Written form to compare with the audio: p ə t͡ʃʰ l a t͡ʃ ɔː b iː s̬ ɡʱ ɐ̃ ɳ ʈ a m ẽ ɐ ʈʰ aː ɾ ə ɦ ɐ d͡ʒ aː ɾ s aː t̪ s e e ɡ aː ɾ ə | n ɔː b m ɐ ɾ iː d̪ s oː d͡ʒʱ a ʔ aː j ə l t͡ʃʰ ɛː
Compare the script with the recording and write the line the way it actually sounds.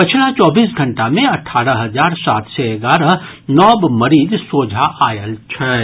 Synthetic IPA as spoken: p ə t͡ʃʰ l a t͡ʃ ɔː b iː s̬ ɡʱ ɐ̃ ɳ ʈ a m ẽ ɐ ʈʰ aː ɾ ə ɦ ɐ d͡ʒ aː ɾ s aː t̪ s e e ɡ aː ɾ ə | n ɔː b m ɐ ɾ iː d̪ s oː d͡ʒʱ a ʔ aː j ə l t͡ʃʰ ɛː